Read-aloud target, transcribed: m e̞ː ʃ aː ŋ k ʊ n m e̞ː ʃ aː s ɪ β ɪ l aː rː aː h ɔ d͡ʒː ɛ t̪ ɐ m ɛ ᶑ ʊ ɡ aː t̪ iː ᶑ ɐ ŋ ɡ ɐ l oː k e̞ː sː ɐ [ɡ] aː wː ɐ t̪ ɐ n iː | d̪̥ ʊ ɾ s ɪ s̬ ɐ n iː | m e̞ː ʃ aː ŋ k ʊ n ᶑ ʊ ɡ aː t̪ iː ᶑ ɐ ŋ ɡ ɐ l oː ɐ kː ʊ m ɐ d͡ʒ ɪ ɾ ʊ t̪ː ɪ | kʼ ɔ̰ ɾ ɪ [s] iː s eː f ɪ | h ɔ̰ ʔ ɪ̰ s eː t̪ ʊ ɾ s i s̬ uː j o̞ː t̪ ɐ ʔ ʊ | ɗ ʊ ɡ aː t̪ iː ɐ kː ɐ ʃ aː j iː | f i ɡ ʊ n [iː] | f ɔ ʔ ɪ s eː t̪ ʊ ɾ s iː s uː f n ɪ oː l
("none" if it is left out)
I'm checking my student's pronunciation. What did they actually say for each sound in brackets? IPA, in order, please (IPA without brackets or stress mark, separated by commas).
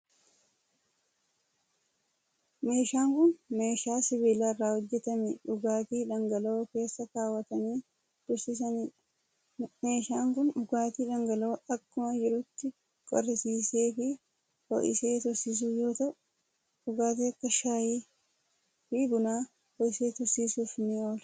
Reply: k, s, aː